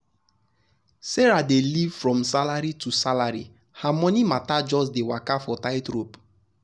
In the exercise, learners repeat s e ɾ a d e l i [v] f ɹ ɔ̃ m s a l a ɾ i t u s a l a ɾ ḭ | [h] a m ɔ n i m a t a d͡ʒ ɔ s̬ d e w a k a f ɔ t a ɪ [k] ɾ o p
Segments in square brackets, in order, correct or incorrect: correct, correct, incorrect

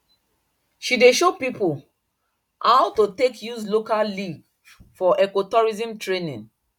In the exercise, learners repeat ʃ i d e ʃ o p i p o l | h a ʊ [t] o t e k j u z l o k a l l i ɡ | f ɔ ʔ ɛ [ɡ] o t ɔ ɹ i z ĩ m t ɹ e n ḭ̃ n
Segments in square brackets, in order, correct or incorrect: correct, incorrect

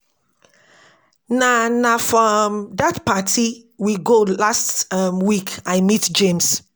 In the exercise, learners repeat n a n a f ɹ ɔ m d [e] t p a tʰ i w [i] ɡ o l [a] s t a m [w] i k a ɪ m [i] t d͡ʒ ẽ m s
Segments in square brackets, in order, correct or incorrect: incorrect, correct, correct, correct, correct

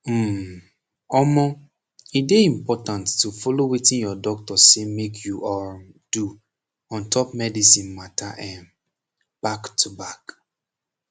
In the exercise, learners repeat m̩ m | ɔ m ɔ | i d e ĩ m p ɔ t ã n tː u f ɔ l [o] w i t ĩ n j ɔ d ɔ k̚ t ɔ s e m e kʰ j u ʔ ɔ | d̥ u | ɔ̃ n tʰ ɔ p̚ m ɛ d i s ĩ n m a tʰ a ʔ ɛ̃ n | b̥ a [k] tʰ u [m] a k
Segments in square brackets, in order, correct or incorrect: correct, correct, incorrect

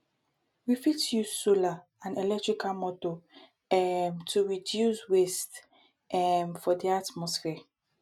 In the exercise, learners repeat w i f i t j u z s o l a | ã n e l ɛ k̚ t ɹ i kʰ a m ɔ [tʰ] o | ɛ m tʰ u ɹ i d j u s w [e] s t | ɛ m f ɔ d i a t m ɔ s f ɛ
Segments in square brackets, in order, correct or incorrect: incorrect, correct

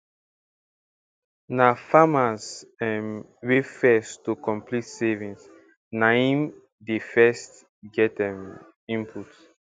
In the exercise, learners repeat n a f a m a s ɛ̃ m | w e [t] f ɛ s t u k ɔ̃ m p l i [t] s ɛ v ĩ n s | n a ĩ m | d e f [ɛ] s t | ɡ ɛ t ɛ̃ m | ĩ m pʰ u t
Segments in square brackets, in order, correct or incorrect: incorrect, correct, correct

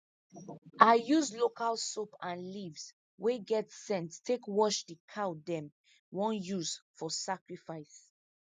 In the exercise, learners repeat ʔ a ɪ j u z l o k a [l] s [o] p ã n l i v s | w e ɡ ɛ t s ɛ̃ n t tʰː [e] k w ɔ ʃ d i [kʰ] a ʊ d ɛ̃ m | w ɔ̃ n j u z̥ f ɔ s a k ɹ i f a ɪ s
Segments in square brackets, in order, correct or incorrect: correct, correct, correct, correct

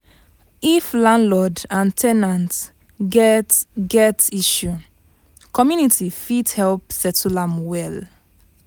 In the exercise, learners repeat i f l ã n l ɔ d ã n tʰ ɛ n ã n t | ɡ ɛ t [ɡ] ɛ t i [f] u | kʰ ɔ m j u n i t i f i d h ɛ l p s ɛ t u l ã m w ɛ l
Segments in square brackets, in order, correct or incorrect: correct, incorrect

